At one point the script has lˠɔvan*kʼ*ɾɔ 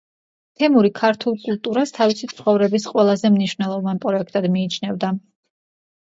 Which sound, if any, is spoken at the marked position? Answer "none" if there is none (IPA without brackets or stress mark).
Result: pʼ